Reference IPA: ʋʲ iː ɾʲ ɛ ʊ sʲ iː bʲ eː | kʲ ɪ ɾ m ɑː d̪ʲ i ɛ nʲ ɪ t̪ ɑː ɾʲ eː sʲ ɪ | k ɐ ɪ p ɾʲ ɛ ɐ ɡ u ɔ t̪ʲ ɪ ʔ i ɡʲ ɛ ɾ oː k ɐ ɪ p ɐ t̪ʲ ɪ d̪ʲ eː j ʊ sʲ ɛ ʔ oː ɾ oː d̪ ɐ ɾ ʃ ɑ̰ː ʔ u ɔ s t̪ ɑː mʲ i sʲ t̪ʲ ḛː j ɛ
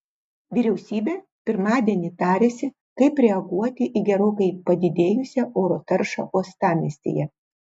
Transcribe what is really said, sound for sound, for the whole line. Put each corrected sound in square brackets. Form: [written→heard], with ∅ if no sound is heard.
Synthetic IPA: ʋʲ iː ɾʲ ɛ ʊ sʲ iː bʲ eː | [kʲ→pʲ] ɪ ɾ m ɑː d̪ʲ i ɛ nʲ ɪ t̪ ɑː ɾʲ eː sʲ ɪ | k ɐ ɪ p ɾʲ ɛ ɐ ɡ u ɔ t̪ʲ ɪ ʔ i ɡʲ ɛ ɾ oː k ɐ ɪ p ɐ [t̪ʲ→d̪ʲ] ɪ d̪ʲ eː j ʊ sʲ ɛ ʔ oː ɾ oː [d̪→t̪] ɐ ɾ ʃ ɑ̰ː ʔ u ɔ s t̪ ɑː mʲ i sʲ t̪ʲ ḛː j ɛ